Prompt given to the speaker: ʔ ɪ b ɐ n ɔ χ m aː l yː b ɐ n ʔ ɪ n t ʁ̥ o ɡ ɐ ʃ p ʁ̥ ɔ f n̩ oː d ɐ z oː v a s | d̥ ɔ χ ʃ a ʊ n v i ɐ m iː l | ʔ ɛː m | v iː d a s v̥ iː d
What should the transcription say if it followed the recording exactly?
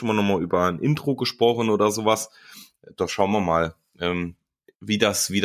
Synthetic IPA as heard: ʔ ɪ m ɐ n ɔ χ m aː l yː b ɐ n ʔ ɪ n t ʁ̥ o ɡ ə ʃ p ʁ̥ ɔ χ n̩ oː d ɐ z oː v a s | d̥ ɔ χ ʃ a ʊ n v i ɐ m aː l | ʔ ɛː m | v iː d a s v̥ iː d